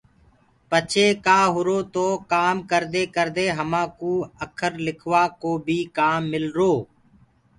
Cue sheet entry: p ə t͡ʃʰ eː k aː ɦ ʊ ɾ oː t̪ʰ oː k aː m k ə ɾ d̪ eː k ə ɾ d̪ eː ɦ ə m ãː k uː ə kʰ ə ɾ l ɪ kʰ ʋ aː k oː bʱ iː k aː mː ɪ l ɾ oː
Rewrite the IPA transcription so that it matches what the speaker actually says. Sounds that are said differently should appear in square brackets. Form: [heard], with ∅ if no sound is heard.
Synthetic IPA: p ə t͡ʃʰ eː k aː ɦ ʊ ɾ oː [t̪] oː k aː m k ə ɾ d̪ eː k ə ɾ d̪ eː ɦ ə m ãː k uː ə kʰ ə ɾ l ɪ kʰ ʋ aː k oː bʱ iː k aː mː ɪ l ɾ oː